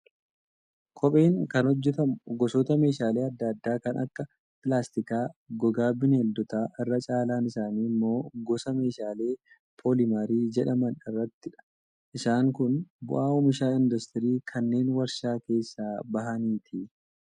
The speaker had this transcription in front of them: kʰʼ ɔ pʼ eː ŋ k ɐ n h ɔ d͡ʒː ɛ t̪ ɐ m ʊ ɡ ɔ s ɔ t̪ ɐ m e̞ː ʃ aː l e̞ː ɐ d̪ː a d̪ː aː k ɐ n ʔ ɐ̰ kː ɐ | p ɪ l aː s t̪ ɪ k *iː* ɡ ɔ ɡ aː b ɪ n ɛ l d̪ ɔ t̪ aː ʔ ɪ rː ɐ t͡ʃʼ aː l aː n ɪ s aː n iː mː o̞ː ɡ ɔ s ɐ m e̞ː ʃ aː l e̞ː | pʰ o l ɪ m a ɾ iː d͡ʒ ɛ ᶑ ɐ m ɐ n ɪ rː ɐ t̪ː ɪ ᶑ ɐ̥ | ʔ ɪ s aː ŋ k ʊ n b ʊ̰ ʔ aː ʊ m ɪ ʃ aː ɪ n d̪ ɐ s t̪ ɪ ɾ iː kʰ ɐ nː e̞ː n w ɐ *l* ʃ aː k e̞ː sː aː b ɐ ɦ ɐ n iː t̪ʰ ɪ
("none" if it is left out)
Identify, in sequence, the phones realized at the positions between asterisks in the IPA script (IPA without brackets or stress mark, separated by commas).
aː, ɾ